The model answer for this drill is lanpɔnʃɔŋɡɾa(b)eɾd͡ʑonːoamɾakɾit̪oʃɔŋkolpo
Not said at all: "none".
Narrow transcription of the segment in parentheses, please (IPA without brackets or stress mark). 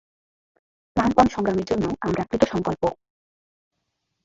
m